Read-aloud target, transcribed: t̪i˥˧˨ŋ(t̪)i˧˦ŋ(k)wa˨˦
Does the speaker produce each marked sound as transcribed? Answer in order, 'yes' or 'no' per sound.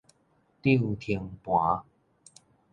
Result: no, no

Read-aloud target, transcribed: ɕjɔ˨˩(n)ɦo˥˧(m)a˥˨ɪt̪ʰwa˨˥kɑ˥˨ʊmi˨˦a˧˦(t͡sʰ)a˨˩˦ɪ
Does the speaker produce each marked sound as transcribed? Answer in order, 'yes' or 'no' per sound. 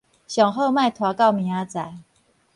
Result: no, yes, no

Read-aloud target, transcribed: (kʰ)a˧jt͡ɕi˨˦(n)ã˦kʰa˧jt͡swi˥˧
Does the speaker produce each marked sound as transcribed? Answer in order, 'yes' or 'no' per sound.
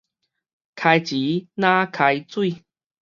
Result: yes, yes

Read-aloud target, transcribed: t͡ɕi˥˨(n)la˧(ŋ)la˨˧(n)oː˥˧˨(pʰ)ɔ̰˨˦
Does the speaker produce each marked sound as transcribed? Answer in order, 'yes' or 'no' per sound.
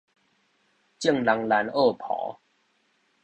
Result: no, yes, yes, yes

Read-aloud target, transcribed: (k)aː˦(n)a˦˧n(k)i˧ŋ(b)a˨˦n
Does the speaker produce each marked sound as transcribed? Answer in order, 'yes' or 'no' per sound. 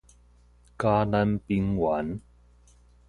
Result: yes, yes, no, no

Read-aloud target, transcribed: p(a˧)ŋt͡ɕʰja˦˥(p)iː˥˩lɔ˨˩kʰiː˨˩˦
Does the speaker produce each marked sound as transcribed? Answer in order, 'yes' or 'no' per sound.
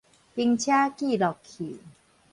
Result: no, no

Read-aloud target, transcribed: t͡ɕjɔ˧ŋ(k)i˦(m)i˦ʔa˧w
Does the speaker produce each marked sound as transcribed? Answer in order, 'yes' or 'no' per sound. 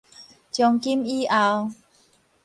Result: yes, yes

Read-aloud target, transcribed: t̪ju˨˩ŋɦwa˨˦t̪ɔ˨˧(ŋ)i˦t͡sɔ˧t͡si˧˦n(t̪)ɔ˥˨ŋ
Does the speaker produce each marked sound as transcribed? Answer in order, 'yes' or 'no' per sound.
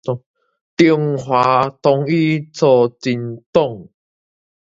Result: yes, yes

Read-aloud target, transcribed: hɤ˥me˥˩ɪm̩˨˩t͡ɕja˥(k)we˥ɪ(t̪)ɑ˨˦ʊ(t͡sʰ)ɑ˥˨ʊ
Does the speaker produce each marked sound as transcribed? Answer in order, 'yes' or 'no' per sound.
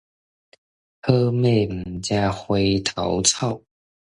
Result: no, no, yes

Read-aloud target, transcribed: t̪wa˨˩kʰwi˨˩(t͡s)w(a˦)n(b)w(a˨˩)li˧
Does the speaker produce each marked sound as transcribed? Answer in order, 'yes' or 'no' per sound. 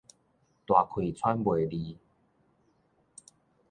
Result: no, yes, yes, no

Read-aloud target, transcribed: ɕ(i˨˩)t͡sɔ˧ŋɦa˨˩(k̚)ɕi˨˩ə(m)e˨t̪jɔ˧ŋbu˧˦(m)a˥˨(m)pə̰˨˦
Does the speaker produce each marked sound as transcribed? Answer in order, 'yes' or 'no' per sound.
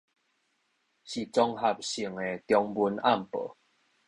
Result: yes, no, no, no, yes

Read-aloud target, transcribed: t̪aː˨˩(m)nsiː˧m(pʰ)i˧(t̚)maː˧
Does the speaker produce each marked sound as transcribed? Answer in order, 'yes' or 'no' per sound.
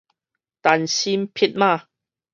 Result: no, yes, yes

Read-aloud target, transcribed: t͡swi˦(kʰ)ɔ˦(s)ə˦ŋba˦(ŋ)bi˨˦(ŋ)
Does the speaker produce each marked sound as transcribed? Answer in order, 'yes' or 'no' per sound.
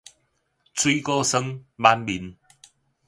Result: no, yes, no, no

